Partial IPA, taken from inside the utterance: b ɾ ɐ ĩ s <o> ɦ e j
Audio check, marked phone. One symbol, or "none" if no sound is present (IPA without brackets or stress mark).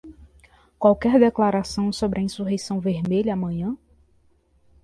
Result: u